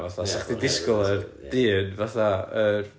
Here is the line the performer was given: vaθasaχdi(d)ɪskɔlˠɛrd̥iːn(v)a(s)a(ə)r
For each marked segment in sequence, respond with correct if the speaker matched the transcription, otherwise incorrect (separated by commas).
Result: correct, correct, incorrect, correct